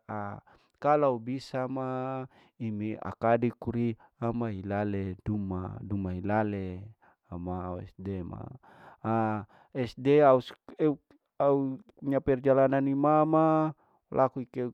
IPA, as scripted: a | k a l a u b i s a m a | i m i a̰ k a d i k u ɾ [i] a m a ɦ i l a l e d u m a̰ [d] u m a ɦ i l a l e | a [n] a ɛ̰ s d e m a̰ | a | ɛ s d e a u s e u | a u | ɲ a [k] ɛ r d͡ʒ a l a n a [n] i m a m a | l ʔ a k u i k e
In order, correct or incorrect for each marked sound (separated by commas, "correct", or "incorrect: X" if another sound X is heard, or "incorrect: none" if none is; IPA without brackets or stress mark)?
correct, correct, incorrect: m, incorrect: p, correct